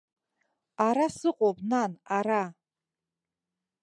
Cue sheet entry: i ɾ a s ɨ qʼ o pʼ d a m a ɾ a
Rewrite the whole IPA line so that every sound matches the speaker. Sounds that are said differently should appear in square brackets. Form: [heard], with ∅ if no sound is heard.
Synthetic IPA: [a] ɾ a s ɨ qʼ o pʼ [n] a [n] a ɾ a